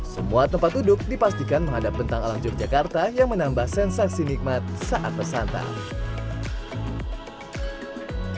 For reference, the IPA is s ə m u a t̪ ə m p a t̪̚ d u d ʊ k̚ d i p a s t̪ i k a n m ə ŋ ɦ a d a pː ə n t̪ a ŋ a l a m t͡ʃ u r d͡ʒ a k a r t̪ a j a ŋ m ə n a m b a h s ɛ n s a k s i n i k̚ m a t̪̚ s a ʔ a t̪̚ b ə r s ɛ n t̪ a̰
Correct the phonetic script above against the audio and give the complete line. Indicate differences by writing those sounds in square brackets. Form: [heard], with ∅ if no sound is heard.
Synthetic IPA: s ə m u a t̪ ə m p a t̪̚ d u d ʊ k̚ d i p a s t̪ i k a n m ə ŋ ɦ a d a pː ə n t̪ a ŋ a l a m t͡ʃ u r d͡ʒ a k a r t̪ a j a ŋ m ə n a m b a h s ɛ n s a k s i n i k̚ m a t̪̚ s a ʔ a t̪̚ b ə r s [a] n t̪ a̰